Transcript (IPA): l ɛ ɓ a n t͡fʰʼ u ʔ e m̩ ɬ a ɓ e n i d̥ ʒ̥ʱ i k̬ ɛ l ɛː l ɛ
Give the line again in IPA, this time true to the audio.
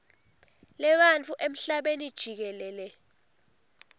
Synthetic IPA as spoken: l ɛ ɓ a n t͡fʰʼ u ʔ e m̩ ɬ a ɓ e n i d̥ ʒ̥ʱ i k̬ ɛ l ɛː l ɛ